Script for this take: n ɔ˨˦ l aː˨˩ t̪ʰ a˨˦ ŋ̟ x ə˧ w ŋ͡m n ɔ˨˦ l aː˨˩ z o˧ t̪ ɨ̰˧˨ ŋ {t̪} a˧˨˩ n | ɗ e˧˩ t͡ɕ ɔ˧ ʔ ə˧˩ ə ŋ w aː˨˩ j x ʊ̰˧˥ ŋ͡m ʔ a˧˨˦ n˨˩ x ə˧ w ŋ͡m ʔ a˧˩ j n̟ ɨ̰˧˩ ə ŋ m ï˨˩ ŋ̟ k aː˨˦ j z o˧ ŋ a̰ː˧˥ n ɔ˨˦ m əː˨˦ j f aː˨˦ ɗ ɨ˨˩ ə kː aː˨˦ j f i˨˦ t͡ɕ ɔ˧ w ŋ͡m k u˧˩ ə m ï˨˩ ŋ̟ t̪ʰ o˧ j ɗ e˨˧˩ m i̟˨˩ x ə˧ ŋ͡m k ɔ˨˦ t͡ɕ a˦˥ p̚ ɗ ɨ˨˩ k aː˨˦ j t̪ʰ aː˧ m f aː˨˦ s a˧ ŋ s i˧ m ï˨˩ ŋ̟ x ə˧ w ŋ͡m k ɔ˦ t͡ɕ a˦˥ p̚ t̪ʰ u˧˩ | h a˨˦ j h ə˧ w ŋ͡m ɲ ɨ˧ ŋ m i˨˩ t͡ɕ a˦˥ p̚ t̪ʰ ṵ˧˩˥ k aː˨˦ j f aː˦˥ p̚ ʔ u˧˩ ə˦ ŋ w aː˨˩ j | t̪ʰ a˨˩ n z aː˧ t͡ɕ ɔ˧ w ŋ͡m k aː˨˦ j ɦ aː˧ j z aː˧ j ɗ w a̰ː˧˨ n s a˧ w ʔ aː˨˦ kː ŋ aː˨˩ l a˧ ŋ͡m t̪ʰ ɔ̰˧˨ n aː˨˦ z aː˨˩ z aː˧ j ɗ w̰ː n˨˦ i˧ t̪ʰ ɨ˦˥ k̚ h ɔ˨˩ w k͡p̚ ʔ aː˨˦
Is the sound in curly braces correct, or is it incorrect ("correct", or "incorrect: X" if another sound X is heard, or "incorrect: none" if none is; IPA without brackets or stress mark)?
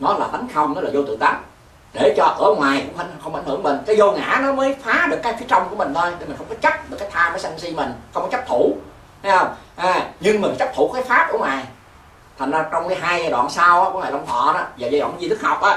correct